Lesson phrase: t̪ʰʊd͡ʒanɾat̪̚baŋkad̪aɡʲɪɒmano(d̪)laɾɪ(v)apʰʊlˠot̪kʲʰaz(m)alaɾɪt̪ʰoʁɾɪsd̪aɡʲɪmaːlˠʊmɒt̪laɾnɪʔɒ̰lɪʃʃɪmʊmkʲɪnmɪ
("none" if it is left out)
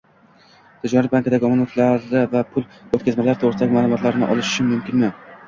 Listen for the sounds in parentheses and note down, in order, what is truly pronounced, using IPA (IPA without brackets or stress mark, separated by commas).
t̪, v, m